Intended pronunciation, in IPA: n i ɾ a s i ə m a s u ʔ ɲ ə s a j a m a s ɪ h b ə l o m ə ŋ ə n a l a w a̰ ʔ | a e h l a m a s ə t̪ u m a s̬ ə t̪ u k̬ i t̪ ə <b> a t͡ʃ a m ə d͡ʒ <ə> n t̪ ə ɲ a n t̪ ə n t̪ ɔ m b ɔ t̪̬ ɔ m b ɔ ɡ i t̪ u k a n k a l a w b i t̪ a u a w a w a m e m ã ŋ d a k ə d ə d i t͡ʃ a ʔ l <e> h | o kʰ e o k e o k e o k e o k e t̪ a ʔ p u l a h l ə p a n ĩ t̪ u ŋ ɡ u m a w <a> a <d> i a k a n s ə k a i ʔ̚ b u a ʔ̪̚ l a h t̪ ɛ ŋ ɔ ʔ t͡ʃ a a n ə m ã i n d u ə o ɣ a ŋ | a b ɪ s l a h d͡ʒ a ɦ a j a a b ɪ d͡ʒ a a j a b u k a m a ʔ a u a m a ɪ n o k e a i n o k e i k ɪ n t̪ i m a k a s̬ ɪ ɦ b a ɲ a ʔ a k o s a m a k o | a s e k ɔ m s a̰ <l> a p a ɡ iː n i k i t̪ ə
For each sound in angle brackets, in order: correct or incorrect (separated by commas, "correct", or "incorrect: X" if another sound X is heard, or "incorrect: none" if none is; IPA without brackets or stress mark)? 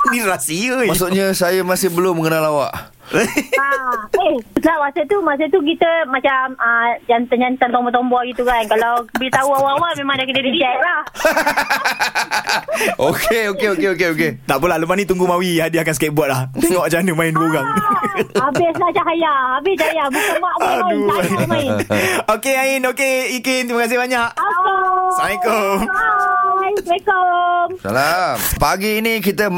incorrect: m, incorrect: a, incorrect: a, incorrect: i, correct, correct